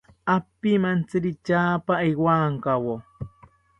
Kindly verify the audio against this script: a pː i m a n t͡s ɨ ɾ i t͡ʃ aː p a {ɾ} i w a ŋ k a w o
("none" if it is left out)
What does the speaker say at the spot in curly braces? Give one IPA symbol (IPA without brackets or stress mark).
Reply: none